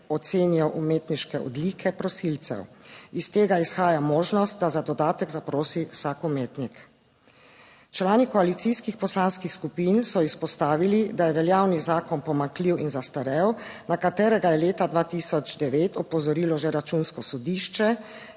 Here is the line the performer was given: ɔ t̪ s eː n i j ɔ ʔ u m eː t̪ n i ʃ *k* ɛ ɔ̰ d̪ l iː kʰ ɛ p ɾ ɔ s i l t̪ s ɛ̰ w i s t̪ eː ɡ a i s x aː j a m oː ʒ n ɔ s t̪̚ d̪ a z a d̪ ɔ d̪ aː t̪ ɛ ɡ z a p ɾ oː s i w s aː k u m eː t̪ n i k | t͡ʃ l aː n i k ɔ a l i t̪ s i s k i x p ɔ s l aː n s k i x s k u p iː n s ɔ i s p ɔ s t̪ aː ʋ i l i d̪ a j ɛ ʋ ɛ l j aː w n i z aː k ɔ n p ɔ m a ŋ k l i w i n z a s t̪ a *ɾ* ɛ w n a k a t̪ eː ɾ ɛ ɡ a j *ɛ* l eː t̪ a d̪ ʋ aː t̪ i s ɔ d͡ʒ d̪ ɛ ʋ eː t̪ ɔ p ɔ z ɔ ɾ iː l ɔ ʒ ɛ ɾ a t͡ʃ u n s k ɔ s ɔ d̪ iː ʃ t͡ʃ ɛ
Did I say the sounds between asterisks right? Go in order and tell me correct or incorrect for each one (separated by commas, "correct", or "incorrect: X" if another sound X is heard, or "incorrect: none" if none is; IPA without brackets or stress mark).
correct, correct, correct